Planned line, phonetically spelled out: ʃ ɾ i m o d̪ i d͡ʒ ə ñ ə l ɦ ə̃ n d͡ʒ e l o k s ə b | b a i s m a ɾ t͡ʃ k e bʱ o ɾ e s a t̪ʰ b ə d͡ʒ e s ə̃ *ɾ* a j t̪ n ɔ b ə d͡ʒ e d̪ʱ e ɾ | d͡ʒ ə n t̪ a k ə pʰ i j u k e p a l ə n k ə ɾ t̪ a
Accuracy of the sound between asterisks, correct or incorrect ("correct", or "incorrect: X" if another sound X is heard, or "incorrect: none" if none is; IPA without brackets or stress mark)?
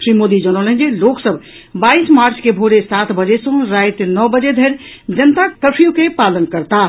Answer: correct